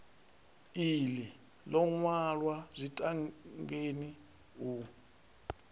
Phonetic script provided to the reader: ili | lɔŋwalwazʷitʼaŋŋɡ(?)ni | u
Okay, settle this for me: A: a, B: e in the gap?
B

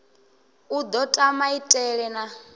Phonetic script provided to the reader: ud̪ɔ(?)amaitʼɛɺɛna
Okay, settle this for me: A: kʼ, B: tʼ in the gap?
B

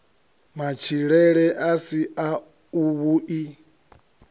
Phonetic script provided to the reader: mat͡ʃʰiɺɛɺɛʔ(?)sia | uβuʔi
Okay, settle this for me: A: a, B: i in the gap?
A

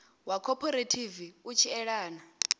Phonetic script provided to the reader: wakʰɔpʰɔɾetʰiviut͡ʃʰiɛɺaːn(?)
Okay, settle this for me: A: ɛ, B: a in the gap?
B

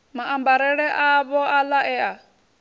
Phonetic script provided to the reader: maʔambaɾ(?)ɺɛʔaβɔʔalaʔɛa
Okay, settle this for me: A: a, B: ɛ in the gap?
B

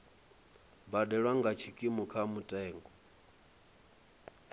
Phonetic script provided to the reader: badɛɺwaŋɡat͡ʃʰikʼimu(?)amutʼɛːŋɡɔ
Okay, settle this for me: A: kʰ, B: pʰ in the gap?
A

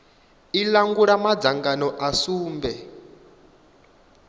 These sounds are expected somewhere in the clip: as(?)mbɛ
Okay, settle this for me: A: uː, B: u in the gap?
A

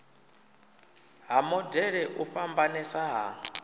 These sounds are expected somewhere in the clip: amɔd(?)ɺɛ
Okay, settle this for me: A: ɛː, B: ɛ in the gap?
B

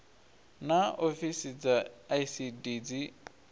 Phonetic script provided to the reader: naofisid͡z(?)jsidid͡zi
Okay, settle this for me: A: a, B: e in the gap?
A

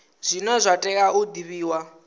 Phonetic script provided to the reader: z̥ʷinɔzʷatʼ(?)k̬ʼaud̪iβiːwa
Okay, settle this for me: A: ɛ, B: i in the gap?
A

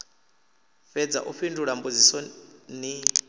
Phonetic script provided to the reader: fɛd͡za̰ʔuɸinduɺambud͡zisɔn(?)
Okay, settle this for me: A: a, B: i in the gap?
B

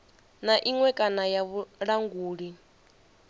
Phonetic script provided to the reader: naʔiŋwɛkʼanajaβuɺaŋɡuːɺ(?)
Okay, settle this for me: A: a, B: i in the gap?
B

